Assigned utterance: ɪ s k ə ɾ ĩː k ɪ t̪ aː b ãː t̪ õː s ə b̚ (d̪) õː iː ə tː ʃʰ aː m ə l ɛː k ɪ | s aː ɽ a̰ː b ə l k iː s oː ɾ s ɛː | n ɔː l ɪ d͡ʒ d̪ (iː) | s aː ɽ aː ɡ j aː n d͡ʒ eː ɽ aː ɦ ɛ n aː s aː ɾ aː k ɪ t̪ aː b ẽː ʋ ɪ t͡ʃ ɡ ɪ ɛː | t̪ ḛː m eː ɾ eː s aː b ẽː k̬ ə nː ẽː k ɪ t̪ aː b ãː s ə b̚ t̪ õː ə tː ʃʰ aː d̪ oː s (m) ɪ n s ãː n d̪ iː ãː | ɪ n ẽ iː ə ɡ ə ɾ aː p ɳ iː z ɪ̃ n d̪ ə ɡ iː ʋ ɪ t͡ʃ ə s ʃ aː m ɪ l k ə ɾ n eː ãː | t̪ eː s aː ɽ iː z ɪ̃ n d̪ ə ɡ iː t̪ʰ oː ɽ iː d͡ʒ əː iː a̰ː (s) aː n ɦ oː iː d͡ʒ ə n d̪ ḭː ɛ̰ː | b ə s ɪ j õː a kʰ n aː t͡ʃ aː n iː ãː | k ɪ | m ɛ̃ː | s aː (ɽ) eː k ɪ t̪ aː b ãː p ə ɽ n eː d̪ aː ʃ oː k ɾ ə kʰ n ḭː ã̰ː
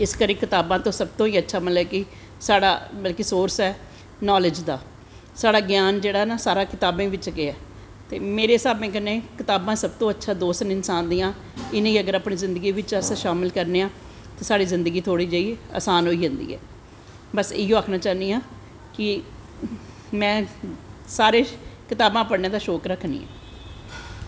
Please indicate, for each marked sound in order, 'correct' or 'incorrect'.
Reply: incorrect: t̪, incorrect: aː, incorrect: n, correct, incorrect: ɾ

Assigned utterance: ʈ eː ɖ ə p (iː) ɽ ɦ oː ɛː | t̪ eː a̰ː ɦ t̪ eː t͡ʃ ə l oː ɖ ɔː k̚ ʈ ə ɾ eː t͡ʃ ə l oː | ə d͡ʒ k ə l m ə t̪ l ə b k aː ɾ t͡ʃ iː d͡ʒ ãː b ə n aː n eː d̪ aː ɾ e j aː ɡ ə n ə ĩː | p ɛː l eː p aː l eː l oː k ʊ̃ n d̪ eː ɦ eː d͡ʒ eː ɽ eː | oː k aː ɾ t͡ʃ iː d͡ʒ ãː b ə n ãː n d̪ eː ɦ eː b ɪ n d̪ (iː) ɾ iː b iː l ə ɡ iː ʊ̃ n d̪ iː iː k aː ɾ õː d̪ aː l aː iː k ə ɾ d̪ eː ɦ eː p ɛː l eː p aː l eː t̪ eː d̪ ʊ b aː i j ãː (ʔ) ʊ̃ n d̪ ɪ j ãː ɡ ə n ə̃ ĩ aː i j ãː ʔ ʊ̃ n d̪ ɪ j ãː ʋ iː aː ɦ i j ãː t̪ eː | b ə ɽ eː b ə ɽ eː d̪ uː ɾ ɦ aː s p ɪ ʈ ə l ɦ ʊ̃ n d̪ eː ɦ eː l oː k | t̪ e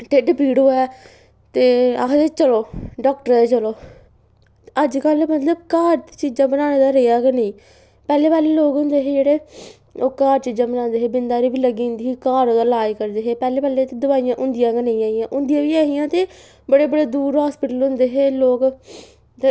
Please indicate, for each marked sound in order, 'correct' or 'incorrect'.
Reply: correct, incorrect: aː, correct

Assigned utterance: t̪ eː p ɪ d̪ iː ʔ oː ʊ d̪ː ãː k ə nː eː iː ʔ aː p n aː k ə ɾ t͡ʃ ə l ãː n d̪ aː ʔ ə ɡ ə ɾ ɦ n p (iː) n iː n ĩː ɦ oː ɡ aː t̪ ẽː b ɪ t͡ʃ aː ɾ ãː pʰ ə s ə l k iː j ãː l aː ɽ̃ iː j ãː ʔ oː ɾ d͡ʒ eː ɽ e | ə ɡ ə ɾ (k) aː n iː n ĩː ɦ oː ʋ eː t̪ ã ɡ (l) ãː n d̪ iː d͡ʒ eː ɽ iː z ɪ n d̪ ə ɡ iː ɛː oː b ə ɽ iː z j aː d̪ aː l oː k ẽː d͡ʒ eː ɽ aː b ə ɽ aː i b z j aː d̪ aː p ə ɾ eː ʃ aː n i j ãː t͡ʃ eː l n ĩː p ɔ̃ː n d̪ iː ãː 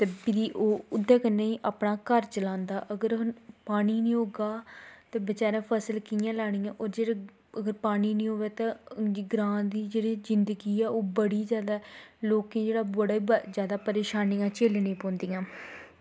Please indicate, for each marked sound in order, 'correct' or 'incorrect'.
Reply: incorrect: aː, incorrect: p, incorrect: ɾ

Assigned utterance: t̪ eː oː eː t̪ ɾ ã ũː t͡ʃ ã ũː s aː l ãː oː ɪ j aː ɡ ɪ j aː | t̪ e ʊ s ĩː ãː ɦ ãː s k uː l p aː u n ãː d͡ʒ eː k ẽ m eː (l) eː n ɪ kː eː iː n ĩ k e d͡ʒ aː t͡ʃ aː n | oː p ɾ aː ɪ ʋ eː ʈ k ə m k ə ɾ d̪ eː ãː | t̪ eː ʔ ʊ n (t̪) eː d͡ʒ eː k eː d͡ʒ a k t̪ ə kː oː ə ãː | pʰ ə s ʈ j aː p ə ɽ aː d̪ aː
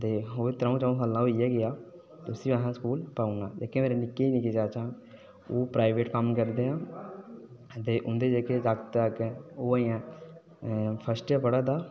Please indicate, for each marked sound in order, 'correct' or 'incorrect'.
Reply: incorrect: ɾ, incorrect: d̪

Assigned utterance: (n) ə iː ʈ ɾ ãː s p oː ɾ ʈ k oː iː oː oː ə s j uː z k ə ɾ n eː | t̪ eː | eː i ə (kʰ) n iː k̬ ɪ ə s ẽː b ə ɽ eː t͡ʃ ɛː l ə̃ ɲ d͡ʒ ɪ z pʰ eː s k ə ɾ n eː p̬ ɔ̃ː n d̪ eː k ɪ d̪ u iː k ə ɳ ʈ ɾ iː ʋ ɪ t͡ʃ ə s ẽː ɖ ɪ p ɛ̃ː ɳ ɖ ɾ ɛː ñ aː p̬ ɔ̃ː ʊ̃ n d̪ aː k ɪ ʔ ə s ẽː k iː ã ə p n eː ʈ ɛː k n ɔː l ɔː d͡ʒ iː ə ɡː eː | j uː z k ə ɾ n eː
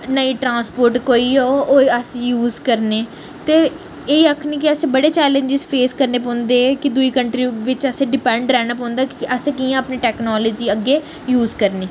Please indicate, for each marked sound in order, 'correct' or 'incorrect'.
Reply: correct, correct

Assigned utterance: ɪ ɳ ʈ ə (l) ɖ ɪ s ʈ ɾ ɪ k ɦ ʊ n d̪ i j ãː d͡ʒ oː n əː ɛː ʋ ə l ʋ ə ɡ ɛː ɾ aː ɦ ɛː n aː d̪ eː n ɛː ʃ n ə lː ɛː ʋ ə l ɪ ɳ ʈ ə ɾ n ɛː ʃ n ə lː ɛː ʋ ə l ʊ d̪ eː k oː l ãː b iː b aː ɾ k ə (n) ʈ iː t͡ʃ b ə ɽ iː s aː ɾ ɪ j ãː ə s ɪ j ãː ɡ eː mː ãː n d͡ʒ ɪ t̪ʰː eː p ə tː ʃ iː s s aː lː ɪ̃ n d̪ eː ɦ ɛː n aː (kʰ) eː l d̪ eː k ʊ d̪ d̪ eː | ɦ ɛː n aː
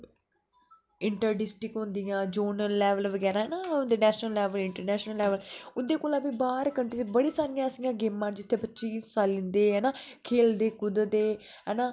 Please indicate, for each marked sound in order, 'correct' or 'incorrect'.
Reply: incorrect: ɾ, incorrect: ɳ, correct

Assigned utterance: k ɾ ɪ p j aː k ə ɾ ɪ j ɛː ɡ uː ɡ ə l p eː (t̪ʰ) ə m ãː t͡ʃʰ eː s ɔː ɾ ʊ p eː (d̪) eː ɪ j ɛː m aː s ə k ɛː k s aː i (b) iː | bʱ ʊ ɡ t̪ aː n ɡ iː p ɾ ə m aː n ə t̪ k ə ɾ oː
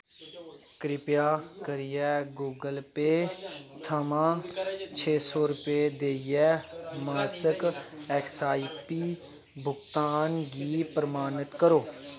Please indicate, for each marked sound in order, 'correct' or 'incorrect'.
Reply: correct, correct, incorrect: p

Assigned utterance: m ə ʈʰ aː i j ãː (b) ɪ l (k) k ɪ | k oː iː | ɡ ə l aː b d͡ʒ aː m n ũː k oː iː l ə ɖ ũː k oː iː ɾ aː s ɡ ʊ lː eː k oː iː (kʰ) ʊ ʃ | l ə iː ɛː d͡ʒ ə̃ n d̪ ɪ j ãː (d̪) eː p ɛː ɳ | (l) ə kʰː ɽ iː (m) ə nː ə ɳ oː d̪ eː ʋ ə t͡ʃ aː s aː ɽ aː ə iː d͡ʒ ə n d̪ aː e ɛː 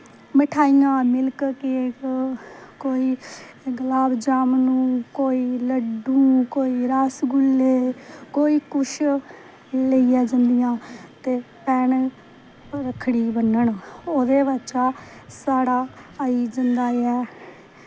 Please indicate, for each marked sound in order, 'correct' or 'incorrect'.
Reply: incorrect: m, correct, incorrect: k, incorrect: t̪, incorrect: ɾ, incorrect: b

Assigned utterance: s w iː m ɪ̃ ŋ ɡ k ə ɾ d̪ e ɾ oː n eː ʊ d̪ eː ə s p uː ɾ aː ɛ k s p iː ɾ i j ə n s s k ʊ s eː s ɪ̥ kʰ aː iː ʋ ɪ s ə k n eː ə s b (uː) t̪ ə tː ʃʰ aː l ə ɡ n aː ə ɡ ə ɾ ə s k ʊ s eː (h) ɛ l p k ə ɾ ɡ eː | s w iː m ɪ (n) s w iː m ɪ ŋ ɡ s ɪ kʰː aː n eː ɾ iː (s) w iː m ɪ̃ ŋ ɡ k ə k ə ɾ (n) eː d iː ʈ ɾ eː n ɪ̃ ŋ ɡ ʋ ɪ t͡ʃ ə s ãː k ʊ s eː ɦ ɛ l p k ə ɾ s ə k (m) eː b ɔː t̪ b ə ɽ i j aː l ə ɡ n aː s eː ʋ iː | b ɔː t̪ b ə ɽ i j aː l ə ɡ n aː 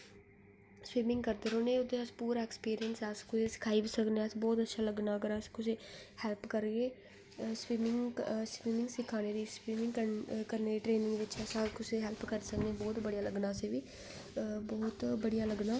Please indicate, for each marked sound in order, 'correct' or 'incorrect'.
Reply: incorrect: ɔː, correct, incorrect: ŋ, correct, correct, incorrect: n

